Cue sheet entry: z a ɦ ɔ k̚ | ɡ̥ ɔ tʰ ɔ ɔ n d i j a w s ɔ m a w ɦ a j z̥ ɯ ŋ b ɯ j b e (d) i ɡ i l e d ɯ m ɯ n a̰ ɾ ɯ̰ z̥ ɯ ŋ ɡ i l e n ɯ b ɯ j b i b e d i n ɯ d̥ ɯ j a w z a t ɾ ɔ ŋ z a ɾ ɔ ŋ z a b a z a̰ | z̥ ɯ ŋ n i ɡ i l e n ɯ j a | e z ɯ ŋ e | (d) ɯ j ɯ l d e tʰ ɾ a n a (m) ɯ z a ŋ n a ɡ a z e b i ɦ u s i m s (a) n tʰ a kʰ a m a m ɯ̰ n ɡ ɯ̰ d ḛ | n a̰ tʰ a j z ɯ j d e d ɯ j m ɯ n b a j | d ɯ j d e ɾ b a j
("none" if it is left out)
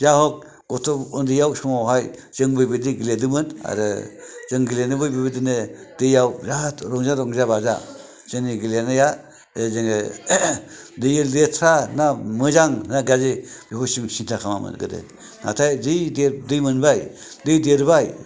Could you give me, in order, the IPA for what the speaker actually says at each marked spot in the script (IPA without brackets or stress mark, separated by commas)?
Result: d, d, m, i